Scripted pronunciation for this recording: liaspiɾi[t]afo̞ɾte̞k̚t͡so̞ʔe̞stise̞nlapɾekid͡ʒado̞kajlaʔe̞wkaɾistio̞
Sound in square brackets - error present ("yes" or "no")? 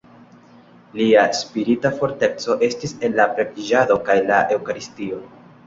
no